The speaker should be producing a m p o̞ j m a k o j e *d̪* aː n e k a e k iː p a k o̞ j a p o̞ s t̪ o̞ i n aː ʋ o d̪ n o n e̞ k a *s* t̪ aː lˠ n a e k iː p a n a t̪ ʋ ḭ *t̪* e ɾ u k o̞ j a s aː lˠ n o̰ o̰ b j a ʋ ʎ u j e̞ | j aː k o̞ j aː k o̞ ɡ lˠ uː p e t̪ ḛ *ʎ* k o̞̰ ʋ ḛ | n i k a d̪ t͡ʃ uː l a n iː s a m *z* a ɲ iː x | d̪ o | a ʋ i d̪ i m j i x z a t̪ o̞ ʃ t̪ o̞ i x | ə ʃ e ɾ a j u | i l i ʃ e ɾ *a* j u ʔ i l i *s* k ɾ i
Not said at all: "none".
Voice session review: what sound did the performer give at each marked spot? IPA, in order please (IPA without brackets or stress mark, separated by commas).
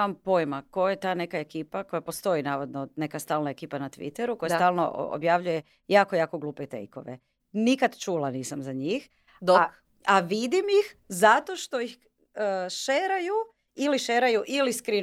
t̪, s, t̪, j, z, a, s